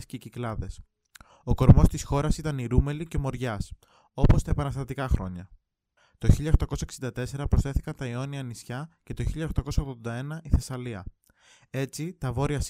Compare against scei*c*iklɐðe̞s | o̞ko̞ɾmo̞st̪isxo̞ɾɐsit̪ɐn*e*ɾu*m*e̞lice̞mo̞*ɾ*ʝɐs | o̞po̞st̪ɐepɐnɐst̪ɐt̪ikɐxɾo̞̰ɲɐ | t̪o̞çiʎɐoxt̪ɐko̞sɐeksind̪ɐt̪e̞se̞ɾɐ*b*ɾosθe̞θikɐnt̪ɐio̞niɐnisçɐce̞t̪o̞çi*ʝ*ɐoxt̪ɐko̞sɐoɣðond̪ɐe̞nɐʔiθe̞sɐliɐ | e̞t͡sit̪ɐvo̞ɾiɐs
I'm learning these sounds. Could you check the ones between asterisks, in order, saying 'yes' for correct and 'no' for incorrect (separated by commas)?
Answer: yes, no, yes, yes, no, no